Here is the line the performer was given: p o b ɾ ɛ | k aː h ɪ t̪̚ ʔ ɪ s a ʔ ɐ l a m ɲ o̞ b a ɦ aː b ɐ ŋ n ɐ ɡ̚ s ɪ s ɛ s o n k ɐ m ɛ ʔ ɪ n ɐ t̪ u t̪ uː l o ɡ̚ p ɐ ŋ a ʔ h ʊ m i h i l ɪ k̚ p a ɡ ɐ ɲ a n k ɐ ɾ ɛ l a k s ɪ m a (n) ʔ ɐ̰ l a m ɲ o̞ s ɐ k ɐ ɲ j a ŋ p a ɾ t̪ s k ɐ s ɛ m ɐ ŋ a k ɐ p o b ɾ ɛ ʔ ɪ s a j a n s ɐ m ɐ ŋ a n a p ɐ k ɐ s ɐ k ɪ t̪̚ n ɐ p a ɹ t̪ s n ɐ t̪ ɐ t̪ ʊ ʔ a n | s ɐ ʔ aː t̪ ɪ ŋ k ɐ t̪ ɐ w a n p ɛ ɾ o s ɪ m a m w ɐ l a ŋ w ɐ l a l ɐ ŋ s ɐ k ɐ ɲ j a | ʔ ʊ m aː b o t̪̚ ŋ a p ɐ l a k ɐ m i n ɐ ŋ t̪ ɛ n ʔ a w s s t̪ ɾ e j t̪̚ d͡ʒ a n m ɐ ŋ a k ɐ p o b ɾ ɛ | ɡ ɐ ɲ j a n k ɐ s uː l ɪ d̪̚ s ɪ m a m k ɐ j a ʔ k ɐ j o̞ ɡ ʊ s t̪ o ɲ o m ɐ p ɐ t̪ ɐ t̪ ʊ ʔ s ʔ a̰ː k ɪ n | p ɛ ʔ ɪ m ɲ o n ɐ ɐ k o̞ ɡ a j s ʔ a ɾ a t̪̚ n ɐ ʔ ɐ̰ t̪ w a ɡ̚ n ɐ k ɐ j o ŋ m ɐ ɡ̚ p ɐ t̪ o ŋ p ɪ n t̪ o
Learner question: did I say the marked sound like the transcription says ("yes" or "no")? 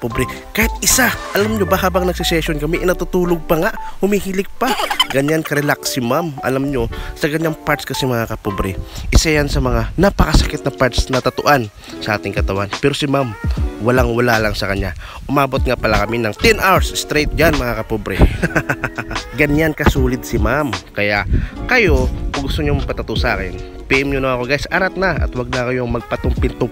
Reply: no